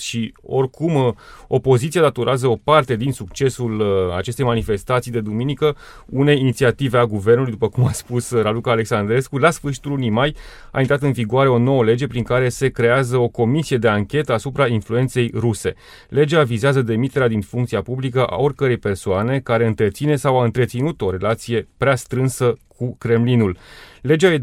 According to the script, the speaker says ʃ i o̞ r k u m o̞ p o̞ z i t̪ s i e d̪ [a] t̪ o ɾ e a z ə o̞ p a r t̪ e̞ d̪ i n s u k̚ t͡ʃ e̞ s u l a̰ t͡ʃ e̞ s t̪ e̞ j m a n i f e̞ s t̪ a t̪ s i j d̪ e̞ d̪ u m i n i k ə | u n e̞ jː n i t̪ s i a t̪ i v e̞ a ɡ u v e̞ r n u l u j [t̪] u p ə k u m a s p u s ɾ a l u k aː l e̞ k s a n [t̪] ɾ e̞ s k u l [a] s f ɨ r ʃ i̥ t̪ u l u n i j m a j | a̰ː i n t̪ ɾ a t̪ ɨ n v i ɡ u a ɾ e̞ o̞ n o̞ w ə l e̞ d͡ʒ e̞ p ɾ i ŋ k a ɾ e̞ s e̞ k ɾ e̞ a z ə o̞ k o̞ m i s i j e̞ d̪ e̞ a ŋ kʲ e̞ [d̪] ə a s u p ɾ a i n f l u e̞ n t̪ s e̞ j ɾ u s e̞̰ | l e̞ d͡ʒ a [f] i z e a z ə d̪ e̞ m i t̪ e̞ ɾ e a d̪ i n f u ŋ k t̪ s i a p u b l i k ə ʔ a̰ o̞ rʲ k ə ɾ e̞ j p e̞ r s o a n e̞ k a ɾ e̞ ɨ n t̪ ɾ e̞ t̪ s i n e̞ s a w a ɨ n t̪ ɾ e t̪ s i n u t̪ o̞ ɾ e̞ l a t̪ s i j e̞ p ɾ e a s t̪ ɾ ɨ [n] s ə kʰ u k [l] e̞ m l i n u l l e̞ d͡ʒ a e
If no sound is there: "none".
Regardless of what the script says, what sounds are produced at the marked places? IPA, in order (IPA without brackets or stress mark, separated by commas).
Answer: a, d̪, d̪, a, t̪, v, n, ɾ